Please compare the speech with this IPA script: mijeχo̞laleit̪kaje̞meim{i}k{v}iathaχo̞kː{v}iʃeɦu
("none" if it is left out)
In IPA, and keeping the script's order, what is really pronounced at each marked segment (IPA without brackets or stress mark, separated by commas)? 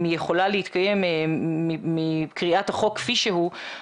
i, ʁ, f